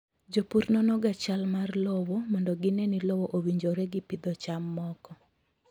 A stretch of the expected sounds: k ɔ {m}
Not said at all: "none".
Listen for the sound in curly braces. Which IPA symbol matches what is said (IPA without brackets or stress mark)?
none